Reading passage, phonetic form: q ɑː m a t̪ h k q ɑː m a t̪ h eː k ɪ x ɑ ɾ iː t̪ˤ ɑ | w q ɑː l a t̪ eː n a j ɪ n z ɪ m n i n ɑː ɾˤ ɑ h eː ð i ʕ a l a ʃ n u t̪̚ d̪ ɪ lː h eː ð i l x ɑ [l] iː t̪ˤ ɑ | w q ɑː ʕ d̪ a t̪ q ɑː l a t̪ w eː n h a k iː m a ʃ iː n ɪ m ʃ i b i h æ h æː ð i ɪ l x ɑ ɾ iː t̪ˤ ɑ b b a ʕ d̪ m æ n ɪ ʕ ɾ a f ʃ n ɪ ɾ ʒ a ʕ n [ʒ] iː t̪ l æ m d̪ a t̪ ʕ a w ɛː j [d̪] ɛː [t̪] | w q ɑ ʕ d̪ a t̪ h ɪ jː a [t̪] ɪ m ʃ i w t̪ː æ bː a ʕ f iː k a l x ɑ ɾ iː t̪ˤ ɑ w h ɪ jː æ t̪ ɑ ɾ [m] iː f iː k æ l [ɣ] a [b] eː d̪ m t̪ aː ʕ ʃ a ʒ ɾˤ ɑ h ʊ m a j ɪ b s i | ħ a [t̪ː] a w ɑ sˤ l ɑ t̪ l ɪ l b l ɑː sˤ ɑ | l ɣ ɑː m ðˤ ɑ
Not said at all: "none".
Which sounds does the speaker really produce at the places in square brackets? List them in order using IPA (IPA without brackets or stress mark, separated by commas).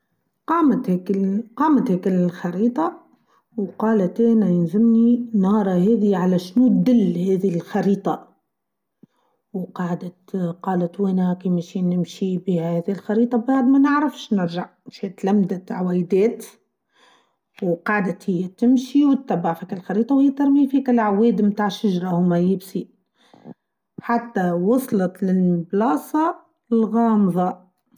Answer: ɾ, ʃ, d̪, t̪, t̪, m, ʕ, w, t̪ː